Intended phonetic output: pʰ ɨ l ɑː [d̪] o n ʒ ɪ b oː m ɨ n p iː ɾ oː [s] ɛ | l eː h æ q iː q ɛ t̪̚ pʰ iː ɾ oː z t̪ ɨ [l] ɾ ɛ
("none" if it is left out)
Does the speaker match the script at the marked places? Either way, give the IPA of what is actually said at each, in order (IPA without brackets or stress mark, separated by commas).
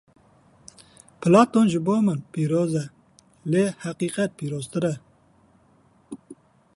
t̪, z, none